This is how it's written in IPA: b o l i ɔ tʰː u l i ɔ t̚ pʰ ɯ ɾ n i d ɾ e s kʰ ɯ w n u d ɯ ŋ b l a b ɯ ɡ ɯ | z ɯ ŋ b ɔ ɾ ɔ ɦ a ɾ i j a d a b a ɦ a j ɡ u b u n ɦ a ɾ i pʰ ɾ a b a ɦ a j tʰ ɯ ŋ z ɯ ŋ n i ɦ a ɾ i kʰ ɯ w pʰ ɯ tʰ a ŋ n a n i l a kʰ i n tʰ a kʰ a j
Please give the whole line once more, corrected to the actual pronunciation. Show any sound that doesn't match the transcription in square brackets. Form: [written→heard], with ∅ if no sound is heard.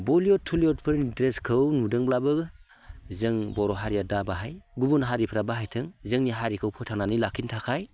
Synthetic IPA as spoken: b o l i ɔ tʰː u l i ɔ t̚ pʰ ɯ ɾ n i d ɾ e s kʰ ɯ w n u d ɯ ŋ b l a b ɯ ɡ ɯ | z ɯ ŋ b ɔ ɾ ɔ ɦ a ɾ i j a d a b a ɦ a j ɡ u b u n ɦ a ɾ i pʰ ɾ a b a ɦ a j tʰ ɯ ŋ z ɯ ŋ n i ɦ a ɾ i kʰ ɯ w pʰ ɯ tʰ a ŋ n a n i l a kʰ i n tʰ a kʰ a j

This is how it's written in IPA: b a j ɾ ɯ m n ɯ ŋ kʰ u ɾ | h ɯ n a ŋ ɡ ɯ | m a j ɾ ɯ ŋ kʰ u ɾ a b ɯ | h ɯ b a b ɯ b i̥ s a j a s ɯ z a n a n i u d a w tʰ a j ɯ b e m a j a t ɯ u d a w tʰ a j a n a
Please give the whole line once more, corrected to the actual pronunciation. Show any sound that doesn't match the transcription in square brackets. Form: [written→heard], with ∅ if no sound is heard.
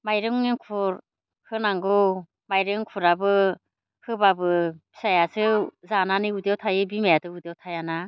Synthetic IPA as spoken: [b→m] a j ɾ ɯ [m→ŋ] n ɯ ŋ kʰ u ɾ | h ɯ n a ŋ ɡ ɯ | m a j ɾ ɯ ŋ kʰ u ɾ a b ɯ | h ɯ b a b ɯ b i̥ s a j a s ɯ z a n a n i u d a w tʰ a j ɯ b [e→i] m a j a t ɯ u d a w tʰ a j a n a

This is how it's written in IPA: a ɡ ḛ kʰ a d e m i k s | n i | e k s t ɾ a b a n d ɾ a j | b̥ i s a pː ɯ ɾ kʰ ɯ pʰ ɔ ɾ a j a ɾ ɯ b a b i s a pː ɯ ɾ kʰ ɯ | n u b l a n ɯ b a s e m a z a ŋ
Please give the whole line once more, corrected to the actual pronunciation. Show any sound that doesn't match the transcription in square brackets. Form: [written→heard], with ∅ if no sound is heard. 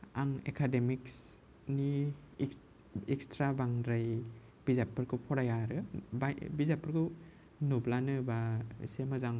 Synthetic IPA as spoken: a [ɡ→ŋ] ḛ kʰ a d e m i k s | n i | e k s t ɾ a b a [n→ŋ] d ɾ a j | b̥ i [s→z] a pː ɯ ɾ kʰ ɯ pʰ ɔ ɾ a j a ɾ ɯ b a b i [s→z] a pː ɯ ɾ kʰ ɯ | n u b l a n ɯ b a s e m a z a ŋ

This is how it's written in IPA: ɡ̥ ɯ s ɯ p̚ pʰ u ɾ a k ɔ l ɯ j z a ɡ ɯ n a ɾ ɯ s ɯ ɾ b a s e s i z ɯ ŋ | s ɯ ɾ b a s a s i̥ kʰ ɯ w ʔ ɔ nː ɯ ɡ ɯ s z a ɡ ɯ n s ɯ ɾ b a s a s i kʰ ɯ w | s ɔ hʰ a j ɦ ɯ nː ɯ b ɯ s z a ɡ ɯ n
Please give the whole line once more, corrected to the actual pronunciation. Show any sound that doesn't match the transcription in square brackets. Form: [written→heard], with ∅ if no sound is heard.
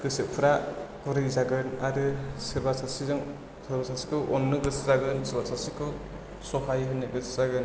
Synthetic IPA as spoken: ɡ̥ ɯ s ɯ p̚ pʰ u ɾ a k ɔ [l→ɾ] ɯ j z a ɡ ɯ n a ɾ ɯ s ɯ ɾ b a s [e→a] s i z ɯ ŋ | s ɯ ɾ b a s a s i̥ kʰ ɯ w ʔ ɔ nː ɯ ɡ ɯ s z a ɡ ɯ n s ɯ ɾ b a s a s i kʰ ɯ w | s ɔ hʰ a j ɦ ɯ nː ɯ [b→ɡ] ɯ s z a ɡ ɯ n

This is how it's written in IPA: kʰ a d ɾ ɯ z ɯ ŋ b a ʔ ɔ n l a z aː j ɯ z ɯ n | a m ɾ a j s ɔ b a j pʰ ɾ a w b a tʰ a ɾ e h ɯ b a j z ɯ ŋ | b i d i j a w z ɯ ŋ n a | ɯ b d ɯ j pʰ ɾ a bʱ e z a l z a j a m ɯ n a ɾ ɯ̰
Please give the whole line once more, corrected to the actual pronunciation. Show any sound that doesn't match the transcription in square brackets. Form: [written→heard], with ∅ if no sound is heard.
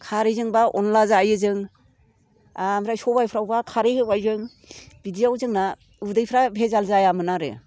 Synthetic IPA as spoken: kʰ a [d→∅] ɾ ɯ z ɯ ŋ b a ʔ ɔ n l a z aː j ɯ z ɯ [n→ŋ] | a m ɾ a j s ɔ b a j pʰ ɾ a w b a [tʰ→kʰ] a ɾ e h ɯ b a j z ɯ ŋ | b i d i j a w z ɯ ŋ n a | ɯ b d ɯ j pʰ ɾ a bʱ e z a l z a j a m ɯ n a ɾ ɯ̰

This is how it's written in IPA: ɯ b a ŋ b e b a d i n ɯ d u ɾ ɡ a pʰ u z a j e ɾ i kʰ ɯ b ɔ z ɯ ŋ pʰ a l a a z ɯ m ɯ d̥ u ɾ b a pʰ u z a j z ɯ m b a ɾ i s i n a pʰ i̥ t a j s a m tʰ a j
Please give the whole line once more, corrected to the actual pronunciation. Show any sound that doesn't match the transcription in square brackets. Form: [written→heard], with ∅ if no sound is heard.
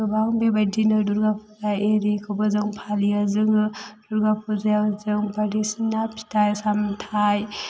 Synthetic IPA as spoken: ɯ b a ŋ b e b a d i n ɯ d u ɾ ɡ a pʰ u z a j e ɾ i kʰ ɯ b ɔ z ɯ ŋ pʰ a l [a→i] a z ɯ [m→ŋ] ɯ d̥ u ɾ [b→ɡ] a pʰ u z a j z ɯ [m→ŋ] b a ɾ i s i n a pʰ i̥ t a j s a m tʰ a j

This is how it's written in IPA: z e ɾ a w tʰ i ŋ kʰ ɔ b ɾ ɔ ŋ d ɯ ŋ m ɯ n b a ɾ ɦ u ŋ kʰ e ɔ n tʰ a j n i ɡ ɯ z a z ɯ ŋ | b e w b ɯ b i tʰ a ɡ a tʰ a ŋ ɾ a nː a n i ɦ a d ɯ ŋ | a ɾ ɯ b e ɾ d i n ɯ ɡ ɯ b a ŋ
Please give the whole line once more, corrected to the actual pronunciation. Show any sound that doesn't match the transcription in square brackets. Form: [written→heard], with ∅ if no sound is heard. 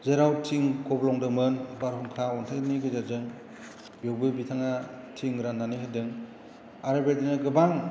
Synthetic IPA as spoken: z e ɾ a w tʰ i ŋ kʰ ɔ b [ɾ→l] ɔ ŋ d ɯ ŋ m ɯ n b a ɾ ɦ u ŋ kʰ [e→a] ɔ n tʰ a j n i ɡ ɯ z a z ɯ ŋ | b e w b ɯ b i tʰ a [ɡ→ŋ] a tʰ [a→i] ŋ ɾ a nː a n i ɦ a d ɯ ŋ | a ɾ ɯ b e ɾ d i n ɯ ɡ ɯ b a ŋ

